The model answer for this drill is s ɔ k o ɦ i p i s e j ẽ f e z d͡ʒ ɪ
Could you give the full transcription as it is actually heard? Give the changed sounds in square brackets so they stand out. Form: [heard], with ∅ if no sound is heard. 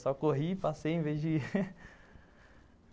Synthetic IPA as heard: s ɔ k o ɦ i p [a] s e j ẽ [v] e z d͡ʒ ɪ